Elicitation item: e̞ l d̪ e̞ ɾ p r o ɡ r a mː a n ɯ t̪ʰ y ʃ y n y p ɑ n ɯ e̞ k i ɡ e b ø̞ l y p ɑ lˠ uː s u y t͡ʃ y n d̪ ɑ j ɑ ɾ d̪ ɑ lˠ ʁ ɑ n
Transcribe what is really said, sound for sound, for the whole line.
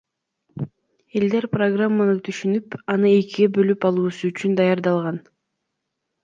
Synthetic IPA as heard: e̞ l d̪ e̞ ɾ p r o ɡ r a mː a n ɯ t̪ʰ y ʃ y n y p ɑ n ɯ e̞ k i ɡ e b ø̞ l y p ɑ lˠ uː s u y t͡ʃ y n d̪ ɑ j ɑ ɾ d̪ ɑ lˠ ʁ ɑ n